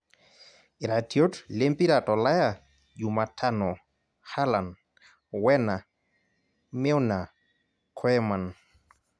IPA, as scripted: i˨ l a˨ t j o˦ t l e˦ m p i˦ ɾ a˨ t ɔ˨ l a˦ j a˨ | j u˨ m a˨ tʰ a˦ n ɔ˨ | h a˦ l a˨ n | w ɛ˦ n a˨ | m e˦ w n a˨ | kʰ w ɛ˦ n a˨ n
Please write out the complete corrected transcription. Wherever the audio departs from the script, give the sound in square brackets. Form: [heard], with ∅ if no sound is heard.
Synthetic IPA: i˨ [ɾ] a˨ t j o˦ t l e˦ m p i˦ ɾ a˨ t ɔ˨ l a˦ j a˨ | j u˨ m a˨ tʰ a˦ n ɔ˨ | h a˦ l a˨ n | w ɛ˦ n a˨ | m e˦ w n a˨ | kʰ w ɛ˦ [m] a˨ n